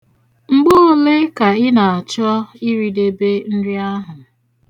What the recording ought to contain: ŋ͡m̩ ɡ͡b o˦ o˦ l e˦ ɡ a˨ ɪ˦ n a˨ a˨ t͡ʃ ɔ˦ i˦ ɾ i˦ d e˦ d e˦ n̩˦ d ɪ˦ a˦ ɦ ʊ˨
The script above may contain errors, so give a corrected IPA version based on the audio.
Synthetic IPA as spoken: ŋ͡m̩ ɡ͡b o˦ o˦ l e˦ k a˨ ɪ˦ n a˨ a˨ t͡ʃ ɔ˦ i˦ ɾ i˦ d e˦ b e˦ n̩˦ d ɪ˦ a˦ ɦ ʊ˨